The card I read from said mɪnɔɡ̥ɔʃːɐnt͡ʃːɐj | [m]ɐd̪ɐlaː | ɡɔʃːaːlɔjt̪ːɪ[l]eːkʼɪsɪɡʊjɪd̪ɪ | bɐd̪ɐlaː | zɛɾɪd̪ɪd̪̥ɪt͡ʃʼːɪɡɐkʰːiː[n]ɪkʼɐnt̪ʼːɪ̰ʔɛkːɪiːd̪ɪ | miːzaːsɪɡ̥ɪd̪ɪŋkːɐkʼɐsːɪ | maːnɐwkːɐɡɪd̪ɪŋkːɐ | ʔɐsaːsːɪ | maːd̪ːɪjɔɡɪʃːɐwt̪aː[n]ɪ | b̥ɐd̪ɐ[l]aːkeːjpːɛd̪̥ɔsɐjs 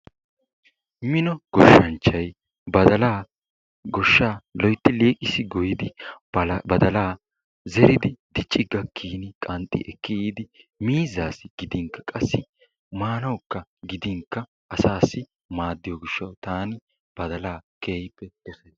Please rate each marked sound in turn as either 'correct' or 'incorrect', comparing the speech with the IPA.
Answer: incorrect: b, correct, correct, correct, correct

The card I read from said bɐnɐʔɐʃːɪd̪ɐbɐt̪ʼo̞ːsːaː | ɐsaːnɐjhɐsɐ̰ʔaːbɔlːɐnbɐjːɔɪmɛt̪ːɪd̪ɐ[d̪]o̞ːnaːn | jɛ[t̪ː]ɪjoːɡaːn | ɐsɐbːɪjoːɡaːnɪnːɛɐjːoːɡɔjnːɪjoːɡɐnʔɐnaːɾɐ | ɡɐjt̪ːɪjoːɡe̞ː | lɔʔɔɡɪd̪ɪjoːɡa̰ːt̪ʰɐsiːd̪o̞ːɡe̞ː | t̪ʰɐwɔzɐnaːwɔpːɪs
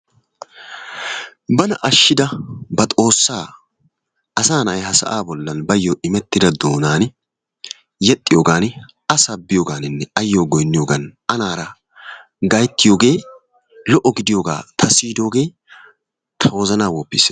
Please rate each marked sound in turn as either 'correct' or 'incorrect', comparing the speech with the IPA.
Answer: correct, incorrect: t̪ʼː

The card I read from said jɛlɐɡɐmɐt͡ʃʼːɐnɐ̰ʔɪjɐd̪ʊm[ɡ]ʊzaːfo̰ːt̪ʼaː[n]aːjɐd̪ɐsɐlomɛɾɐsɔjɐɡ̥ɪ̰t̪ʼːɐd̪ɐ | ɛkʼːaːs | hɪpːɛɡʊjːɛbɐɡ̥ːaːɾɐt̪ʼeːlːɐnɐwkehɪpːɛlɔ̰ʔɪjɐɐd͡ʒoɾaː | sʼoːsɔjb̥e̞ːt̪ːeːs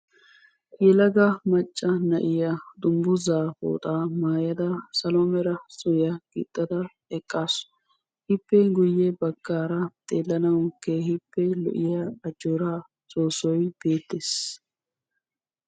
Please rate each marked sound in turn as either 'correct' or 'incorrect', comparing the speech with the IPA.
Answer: incorrect: b, incorrect: m

